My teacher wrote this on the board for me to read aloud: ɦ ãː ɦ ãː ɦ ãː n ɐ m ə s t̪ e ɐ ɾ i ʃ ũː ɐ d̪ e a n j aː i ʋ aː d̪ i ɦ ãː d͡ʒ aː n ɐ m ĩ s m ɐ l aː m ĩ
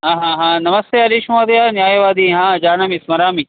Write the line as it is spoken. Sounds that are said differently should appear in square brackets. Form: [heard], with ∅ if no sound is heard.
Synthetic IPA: ɦ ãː ɦ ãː ɦ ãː n ɐ m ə s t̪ e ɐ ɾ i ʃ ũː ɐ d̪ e a n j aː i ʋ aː d̪ i ɦ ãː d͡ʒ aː n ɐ m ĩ s m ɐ [ɾ] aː m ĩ